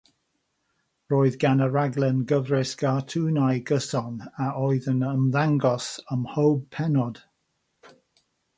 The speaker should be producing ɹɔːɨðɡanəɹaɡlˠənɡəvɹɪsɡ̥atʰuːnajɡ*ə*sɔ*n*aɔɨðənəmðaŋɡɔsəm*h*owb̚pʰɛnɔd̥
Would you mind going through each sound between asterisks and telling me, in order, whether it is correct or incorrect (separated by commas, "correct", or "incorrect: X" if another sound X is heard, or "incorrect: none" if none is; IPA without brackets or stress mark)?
correct, correct, correct